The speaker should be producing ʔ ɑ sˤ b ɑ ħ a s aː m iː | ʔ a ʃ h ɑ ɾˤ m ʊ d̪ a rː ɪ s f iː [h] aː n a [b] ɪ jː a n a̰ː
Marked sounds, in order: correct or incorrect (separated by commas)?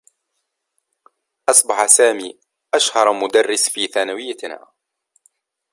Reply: incorrect, incorrect